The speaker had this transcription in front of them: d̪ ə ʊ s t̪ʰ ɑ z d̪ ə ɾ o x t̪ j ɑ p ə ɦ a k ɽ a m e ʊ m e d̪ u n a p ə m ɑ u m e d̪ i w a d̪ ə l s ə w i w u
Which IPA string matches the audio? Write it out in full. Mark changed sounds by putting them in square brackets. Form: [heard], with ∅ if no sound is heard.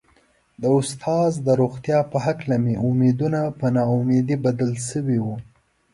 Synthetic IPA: d̪ ə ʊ s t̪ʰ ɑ z d̪ ə ɾ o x t̪ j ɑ p ə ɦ a k [l] a m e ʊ m e d̪ u n a p ə [n] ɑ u m e d̪ i [b] a d̪ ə l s ə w i w u